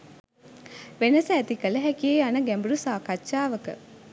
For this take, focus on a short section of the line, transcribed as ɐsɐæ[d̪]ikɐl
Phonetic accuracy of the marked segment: incorrect: t̪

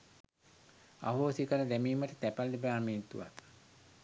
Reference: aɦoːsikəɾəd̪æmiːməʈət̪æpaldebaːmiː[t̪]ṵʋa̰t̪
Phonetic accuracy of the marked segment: correct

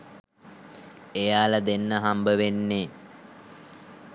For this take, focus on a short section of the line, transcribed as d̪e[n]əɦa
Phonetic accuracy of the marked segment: incorrect: nː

